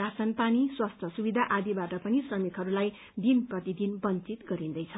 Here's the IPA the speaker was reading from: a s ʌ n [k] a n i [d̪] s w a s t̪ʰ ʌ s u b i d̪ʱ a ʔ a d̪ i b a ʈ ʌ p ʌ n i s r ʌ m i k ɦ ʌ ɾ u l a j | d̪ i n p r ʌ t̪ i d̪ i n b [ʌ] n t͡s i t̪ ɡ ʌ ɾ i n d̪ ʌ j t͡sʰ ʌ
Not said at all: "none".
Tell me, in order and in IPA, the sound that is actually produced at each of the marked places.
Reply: p, none, ʌ

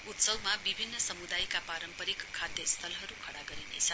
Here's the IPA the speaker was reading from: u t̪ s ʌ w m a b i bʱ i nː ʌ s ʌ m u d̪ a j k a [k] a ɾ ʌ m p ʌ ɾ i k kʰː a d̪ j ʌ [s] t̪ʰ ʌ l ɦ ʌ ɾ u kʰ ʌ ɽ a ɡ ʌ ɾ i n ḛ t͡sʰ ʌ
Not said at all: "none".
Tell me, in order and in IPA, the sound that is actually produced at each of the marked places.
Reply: p, s

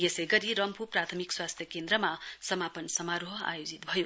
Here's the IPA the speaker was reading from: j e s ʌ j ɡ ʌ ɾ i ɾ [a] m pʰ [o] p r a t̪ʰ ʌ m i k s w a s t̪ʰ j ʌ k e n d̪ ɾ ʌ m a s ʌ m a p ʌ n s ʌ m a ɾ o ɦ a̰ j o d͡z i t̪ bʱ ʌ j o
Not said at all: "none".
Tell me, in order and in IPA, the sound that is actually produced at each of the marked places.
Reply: ʌ, u

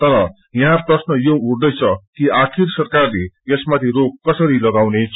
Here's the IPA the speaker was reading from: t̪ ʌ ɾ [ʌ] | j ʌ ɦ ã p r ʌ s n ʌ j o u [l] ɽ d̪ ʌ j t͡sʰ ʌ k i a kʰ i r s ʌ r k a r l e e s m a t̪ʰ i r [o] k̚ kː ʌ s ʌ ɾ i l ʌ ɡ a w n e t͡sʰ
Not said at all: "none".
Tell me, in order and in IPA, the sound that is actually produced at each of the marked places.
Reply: ʌ, none, o

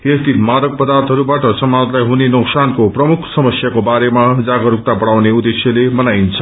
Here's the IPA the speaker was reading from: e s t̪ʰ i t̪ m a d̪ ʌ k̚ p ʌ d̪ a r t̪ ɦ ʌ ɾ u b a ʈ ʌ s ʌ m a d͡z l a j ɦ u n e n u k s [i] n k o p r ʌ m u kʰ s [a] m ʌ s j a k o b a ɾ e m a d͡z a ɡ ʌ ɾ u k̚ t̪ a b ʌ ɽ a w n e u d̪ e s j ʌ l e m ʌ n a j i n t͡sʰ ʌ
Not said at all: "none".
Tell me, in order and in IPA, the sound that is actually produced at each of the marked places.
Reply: a, ʌ

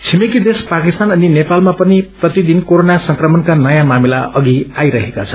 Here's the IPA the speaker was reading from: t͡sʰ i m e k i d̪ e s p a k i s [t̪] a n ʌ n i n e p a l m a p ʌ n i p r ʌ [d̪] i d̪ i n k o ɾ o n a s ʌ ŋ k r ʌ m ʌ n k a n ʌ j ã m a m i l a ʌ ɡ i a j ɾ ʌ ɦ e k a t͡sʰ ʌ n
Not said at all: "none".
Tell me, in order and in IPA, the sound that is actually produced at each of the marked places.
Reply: t̪, t̪

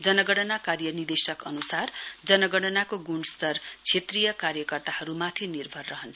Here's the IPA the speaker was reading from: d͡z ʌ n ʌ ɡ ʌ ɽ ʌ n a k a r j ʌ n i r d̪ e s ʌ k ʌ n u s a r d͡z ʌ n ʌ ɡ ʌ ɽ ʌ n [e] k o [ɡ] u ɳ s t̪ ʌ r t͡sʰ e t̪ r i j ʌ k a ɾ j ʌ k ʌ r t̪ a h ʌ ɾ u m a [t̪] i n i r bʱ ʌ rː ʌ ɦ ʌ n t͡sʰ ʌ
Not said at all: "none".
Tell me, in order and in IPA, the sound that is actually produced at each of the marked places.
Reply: a, ɡ, t̪ʰ

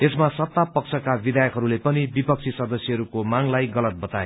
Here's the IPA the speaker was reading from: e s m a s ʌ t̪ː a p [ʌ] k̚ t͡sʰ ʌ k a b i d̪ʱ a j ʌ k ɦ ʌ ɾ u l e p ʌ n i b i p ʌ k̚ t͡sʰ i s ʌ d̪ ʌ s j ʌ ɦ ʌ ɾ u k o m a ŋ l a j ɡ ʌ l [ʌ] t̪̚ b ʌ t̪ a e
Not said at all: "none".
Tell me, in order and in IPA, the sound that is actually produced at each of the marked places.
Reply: ʌ, ʌ

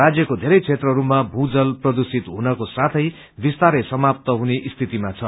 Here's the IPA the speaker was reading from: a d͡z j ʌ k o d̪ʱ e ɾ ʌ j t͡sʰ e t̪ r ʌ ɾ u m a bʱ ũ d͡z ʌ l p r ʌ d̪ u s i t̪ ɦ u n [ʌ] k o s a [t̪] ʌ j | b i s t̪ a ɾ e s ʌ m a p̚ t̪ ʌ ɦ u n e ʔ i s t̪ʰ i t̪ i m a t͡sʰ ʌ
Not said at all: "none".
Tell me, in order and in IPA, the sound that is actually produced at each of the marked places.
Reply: ʌ, t̪ʰ

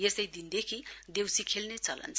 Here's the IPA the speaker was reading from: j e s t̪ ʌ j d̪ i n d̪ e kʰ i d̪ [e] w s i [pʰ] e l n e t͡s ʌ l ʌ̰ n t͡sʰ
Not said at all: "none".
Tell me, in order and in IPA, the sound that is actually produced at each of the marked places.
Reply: e, kʰ

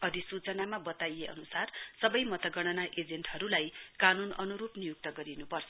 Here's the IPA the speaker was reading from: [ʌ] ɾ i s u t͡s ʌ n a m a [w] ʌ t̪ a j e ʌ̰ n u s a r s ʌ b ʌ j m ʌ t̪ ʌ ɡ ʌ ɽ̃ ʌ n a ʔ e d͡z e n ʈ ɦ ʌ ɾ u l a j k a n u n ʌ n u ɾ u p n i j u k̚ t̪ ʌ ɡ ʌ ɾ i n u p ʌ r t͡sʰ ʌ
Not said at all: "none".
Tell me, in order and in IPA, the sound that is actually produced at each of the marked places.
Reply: ʌ, b

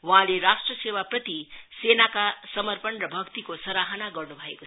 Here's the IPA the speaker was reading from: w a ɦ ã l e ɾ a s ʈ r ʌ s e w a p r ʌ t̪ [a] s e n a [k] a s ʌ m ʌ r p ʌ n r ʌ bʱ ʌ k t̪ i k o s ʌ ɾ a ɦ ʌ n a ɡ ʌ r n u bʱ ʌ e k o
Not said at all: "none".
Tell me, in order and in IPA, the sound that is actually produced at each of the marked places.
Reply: i, k

